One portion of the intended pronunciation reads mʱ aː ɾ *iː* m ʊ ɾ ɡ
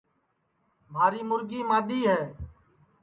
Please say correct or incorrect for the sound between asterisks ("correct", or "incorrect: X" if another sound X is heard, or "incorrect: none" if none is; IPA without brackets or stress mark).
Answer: correct